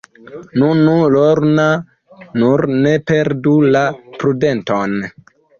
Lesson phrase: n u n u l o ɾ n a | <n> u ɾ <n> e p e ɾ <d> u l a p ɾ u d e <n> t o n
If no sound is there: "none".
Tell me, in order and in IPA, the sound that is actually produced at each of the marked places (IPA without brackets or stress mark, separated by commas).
n, n, d, n